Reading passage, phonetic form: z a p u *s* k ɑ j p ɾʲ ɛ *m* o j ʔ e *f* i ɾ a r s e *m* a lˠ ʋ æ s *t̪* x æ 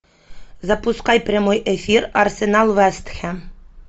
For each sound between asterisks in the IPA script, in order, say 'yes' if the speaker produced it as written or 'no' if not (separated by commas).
yes, yes, yes, no, yes